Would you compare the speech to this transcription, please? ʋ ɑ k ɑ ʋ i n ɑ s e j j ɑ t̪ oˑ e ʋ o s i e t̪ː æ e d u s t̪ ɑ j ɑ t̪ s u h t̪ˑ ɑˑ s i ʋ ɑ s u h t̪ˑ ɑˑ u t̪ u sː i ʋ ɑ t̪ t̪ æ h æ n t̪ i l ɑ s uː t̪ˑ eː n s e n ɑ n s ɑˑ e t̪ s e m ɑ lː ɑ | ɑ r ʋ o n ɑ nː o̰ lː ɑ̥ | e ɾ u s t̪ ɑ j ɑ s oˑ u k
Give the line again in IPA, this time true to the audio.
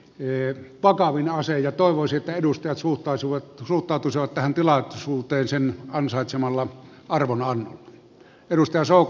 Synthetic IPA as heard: ʋ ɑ k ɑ ʋ i n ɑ s e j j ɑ t̪ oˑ e ʋ o s i e t̪ː æ e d u s t̪ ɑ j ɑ t̪ s u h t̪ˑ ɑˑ s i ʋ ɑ s u h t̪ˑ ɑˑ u t̪ u s i ʋ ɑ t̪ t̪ æ h æ n t̪ i l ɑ s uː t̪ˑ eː n s e n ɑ n s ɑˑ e t̪ s e m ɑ lː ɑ | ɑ r ʋ o n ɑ nː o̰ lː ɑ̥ | e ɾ u s t̪ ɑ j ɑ s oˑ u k